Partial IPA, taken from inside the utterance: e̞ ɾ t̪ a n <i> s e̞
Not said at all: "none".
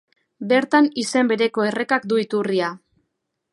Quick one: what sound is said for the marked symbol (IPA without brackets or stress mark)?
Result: i